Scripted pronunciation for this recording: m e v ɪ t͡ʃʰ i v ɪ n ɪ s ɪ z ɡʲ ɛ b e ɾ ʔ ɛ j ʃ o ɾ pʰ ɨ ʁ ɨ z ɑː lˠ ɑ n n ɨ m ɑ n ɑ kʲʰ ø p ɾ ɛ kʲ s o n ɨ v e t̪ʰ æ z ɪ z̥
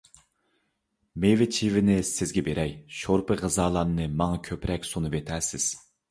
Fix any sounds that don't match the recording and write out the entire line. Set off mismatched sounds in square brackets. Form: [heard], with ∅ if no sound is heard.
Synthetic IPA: m e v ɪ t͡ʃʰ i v ɪ n ɪ s ɪ z ɡʲ ɛ b e ɾ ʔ ɛ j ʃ o ɾ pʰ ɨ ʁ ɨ z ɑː lˠ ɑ n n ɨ m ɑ [ŋ] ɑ kʲʰ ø p ɾ ɛ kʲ s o n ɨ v e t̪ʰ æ [s] ɪ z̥